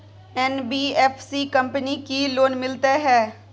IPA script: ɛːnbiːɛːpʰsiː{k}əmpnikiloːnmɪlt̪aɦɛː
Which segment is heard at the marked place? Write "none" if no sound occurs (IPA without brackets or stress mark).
k